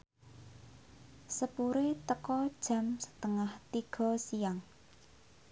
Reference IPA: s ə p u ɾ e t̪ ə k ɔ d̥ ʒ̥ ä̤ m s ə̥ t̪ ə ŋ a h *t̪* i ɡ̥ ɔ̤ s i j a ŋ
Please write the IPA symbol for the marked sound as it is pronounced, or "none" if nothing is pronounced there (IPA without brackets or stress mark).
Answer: t̪